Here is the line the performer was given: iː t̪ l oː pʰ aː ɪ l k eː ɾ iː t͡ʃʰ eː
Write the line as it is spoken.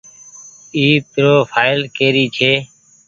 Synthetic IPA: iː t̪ ɾ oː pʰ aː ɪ l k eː ɾ iː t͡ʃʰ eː